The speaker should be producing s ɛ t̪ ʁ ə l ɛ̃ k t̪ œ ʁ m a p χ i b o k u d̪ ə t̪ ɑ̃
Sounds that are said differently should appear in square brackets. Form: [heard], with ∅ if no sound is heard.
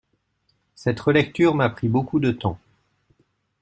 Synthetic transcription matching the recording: s ɛ t̪ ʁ ə l [ɛ] k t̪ [y] ʁ m a p χ i b o k u d̪ ə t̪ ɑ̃